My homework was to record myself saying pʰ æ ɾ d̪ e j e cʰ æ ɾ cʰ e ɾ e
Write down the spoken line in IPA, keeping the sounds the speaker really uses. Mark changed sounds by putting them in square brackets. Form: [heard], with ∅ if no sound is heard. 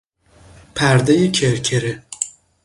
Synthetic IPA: pʰ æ ɾ d̪ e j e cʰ [e] ɾ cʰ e ɾ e